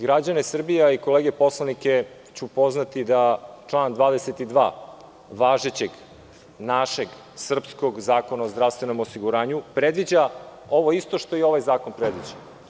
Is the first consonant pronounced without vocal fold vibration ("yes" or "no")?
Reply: no